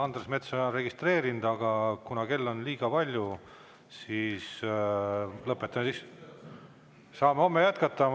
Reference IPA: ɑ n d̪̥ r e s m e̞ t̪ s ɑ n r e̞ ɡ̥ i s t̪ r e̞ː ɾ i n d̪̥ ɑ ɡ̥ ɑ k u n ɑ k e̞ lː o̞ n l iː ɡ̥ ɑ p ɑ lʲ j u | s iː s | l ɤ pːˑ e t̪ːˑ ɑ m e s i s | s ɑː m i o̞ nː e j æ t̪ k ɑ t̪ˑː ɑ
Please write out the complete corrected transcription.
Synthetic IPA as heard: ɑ n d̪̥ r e s m e̞ t̪ s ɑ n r e̞ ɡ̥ i s t̪ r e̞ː ɾ i n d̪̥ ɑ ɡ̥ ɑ k u n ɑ k e̞ lː o̞ n l iː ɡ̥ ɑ p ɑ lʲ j u | s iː s | l ɤ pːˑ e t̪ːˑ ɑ m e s i s | s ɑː m e o̞ mː e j æ t̪ k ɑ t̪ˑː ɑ